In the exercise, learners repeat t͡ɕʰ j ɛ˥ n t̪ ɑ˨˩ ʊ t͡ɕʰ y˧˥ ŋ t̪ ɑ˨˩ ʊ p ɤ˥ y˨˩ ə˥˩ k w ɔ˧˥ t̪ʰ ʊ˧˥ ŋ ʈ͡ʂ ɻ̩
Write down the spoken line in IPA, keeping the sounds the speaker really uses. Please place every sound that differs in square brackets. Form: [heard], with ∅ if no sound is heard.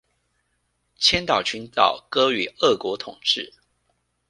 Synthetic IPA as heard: t͡ɕʰ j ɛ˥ n t̪ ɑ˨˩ ʊ t͡ɕʰ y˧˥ [n] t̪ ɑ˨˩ ʊ [k] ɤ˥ y˨˩ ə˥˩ k w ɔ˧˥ t̪ʰ [ʊ˨˩] ŋ ʈ͡ʂ ɻ̩